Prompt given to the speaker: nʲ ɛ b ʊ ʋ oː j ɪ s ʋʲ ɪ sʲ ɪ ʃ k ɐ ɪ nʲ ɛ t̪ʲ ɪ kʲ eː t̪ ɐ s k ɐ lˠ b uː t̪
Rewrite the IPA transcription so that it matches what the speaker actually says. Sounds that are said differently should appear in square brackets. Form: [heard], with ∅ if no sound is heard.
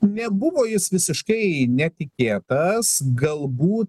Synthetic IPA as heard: nʲ ɛ b ʊ ʋ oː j ɪ s ʋʲ ɪ sʲ ɪ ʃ k ɐ ɪ nʲ ɛ t̪ʲ ɪ kʲ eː t̪ ɐ s [ɡ] ɐ lˠ b uː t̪